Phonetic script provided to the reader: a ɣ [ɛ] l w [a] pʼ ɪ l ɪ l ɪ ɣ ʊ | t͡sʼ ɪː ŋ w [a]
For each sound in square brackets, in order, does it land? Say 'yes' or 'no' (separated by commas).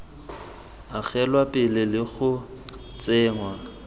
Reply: yes, yes, yes